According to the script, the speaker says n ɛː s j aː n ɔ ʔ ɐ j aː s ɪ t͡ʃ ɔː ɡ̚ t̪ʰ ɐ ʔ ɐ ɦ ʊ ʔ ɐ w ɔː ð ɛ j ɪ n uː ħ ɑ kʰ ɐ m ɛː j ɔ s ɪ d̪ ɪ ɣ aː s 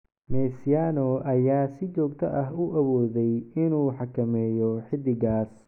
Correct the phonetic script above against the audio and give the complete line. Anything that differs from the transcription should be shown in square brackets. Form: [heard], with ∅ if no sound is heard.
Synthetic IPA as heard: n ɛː s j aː n ɔ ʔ ɐ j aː s ɪ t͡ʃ ɔː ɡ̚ t̪ʰ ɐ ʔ ɐ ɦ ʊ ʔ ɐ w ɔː ð ɛ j ɪ n uː ħ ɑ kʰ ɐ m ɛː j ɔ [ħ] ɪ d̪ ɪ ɣ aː s